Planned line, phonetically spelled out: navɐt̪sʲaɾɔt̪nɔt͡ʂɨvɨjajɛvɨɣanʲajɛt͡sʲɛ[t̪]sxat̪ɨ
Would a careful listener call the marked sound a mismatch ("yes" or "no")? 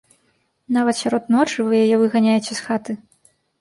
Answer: yes